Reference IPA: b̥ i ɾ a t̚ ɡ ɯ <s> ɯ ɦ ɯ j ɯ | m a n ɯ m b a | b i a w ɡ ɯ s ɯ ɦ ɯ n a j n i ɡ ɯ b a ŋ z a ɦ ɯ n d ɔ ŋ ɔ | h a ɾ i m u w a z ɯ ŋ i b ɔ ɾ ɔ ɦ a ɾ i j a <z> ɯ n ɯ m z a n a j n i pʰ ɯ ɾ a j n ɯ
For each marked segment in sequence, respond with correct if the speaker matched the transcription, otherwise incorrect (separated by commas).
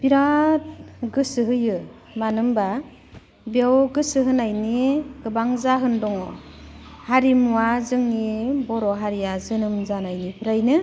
correct, correct